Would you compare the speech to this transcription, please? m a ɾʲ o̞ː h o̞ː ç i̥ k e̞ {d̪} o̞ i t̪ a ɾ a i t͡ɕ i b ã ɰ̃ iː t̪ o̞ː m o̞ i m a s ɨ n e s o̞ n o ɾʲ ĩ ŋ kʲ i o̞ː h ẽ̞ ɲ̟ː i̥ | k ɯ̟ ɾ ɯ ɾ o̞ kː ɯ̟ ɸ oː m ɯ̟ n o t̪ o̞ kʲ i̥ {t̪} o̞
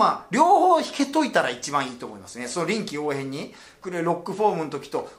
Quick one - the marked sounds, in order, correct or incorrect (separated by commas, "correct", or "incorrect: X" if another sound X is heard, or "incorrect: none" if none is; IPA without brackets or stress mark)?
incorrect: t̪, correct